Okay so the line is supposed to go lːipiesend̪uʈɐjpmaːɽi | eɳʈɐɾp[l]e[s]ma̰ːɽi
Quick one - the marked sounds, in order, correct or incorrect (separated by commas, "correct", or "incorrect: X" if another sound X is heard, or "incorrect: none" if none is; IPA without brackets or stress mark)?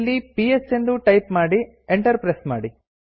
incorrect: ɾ, correct